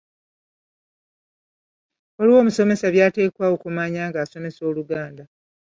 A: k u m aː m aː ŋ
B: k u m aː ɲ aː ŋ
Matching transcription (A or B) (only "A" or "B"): B